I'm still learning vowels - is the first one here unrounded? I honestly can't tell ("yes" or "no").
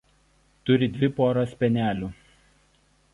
no